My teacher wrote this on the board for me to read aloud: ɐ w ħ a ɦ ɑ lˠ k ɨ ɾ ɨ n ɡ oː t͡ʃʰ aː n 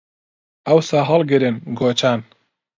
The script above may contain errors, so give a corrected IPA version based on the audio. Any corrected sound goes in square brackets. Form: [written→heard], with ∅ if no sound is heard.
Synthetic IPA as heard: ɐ w [ħ→s] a ɦ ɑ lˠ [k→ɡ] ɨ ɾ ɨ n ɡ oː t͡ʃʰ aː n